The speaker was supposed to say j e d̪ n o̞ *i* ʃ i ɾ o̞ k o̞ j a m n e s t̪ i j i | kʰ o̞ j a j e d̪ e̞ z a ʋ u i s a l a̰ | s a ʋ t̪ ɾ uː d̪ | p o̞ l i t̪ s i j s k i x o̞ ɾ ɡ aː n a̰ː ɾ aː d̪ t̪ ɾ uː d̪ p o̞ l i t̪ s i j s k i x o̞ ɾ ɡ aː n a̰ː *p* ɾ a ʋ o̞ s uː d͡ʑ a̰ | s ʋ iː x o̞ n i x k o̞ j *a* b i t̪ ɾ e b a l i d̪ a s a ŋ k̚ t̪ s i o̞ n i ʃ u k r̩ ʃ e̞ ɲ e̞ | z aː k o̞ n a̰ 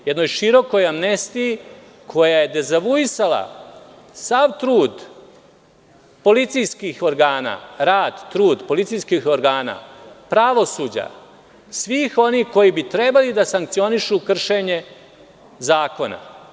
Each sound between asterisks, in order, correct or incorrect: incorrect, correct, incorrect

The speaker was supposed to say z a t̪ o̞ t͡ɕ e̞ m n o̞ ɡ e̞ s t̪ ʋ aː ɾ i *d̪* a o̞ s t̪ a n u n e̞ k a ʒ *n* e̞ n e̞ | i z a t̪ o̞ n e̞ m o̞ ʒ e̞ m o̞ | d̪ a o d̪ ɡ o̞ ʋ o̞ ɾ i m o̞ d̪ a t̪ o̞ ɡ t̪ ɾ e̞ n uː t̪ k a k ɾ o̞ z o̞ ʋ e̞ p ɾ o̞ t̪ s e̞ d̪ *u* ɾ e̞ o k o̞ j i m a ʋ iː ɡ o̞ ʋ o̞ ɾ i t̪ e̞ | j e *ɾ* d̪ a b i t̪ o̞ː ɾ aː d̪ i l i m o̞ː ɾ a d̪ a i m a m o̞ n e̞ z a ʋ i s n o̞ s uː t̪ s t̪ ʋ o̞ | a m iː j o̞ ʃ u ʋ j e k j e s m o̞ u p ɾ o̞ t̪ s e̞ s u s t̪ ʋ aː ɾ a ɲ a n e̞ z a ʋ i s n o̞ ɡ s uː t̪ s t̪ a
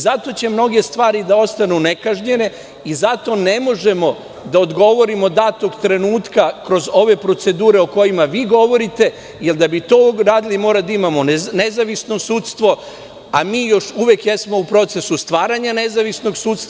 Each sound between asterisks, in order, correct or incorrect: correct, incorrect, incorrect, incorrect

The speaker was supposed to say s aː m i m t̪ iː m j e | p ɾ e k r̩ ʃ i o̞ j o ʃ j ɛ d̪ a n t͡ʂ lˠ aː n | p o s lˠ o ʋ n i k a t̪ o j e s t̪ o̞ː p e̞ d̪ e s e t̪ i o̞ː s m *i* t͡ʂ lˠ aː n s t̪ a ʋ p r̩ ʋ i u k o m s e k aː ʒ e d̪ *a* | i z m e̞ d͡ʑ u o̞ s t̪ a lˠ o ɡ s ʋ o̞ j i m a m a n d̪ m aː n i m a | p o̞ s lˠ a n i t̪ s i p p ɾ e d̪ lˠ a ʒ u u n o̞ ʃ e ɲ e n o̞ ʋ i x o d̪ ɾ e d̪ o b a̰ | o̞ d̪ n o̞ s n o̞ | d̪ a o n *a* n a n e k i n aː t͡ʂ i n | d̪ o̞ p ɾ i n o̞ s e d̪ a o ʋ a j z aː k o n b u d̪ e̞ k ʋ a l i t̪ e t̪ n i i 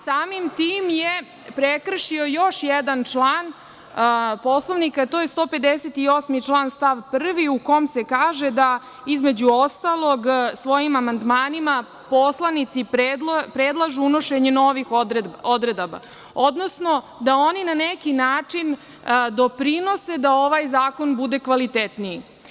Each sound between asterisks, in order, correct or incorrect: correct, correct, incorrect

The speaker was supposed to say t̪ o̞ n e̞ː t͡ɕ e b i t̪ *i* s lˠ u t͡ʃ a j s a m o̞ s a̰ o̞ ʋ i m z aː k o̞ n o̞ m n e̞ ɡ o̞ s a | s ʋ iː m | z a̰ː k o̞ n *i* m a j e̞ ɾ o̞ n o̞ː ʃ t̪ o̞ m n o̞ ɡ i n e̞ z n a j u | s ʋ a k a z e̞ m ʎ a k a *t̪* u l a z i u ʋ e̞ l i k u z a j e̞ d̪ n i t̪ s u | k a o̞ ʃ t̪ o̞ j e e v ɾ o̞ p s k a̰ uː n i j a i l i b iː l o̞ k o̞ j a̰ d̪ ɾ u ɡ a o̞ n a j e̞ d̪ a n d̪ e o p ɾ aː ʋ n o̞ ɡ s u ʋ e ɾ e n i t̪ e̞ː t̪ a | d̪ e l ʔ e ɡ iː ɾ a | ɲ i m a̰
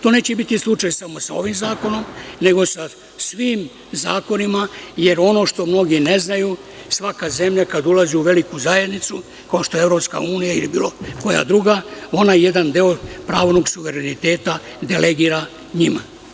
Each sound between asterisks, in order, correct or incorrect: correct, correct, incorrect

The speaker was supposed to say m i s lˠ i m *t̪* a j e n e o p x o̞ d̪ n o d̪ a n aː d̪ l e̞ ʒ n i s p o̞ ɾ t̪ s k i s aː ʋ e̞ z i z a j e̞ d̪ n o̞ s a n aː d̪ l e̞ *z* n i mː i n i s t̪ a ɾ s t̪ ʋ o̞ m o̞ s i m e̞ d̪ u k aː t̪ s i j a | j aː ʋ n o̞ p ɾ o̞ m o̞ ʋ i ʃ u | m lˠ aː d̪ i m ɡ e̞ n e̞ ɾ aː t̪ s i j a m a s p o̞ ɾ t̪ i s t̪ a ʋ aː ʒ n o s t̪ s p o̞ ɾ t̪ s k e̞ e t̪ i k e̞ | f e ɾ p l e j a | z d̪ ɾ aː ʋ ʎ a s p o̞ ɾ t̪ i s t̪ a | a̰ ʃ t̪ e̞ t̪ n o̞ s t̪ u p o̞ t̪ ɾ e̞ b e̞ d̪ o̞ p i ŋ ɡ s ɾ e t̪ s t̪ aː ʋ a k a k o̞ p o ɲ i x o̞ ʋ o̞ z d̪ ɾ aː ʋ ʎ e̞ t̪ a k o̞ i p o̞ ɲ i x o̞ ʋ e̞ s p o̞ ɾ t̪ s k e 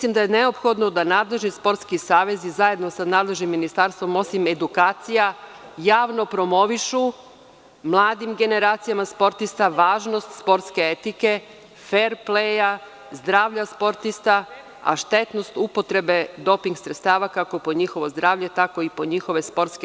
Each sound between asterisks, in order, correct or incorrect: incorrect, incorrect

